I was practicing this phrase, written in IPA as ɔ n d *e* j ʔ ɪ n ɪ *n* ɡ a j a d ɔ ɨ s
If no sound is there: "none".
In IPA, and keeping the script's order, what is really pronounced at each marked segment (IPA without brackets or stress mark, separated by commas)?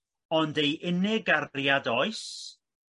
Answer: e, none